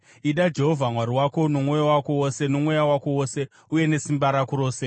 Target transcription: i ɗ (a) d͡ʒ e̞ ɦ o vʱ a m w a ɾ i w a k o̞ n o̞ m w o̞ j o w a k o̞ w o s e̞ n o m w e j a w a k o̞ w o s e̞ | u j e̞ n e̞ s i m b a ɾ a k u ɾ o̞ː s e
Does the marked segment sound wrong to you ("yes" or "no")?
no